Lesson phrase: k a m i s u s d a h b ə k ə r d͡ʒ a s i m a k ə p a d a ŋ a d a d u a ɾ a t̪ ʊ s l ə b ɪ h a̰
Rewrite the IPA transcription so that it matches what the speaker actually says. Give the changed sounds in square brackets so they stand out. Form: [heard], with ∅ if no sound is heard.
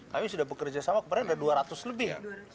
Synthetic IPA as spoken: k a m i s u [∅] d a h b ə k ə r d͡ʒ a s [a] m a k ə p a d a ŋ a d a d u a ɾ a t̪ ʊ s l ə b ɪ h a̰